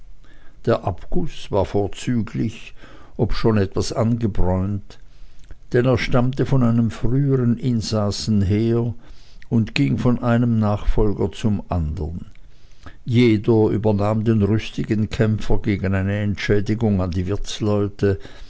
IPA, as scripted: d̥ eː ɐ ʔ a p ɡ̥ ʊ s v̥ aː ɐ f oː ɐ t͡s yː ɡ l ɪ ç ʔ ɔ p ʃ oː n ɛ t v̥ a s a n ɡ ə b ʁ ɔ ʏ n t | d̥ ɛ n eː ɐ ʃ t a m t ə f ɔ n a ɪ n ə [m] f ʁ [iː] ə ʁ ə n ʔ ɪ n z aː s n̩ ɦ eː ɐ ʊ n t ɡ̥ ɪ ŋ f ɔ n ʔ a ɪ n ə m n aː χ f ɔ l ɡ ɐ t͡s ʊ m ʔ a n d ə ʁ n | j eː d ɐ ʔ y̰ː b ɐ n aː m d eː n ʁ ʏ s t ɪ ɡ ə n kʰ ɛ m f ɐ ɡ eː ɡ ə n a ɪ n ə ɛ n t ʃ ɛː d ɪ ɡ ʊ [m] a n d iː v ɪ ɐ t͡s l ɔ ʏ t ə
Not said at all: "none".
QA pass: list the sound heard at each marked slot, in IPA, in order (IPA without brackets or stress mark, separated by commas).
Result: m, yː, ŋ